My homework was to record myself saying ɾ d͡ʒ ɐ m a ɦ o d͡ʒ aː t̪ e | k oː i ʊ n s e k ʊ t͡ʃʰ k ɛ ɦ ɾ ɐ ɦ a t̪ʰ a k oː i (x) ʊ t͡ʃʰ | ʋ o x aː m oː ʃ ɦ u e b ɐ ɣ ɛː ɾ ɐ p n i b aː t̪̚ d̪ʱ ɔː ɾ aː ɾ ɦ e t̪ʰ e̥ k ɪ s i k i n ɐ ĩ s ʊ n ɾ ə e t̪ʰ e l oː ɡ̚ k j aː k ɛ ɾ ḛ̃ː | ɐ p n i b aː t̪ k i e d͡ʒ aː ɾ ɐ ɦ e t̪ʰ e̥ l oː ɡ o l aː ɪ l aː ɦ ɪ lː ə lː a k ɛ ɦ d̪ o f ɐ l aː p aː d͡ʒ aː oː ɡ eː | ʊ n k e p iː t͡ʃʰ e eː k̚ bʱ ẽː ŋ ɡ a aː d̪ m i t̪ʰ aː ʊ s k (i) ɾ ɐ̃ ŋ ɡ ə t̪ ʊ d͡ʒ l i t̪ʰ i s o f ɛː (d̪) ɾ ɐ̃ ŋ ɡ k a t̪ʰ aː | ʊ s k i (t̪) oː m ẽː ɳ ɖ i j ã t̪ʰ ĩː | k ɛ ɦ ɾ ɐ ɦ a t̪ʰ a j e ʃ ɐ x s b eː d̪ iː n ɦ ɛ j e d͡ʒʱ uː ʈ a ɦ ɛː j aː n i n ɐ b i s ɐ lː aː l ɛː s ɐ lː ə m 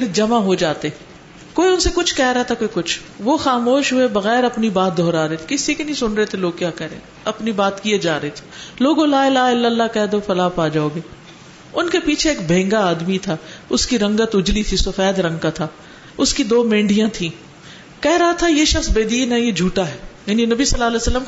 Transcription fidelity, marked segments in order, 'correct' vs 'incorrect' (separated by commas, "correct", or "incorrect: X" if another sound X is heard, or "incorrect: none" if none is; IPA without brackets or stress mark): incorrect: k, correct, correct, incorrect: d̪